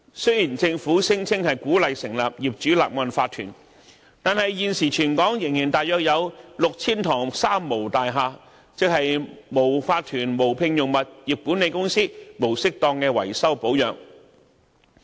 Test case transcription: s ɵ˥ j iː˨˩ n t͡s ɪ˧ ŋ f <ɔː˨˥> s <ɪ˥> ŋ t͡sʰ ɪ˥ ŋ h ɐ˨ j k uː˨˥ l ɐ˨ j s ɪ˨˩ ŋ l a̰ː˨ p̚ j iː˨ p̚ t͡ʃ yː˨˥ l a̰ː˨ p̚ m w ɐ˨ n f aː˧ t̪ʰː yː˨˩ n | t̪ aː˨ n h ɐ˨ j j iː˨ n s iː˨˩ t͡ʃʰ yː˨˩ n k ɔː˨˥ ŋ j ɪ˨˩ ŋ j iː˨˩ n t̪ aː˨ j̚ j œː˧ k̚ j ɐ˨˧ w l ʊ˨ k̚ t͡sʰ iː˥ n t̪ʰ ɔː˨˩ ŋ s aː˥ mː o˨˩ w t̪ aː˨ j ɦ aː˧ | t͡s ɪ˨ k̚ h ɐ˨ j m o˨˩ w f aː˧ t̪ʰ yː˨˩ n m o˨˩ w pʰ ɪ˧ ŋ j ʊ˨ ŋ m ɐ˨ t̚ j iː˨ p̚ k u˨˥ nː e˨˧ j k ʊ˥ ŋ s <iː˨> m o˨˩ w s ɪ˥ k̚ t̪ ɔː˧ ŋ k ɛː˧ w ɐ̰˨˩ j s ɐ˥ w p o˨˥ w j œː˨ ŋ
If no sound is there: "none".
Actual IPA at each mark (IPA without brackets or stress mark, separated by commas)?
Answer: uː˨˥, ɪ˥, iː˥